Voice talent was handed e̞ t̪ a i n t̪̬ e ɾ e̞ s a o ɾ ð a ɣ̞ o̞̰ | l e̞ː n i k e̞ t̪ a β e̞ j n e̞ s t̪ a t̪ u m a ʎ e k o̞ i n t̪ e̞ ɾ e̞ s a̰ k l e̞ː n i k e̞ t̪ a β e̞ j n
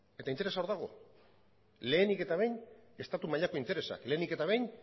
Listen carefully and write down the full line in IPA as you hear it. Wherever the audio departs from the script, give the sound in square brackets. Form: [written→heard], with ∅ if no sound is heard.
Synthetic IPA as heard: e̞ t̪ a i n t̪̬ e ɾ e̞ s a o ɾ ð a ɣ̞ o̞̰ | l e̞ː n i k e̞ t̪ a β e̞ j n e̞ s t̪ a t̪ u m a ʎ [e→a] k o̞ i n t̪ e̞ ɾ e̞ s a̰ k l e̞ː n i k e̞ t̪ a β e̞ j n